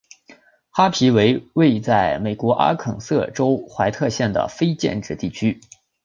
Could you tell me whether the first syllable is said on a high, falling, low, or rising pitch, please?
high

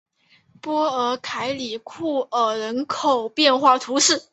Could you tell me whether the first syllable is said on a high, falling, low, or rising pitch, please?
high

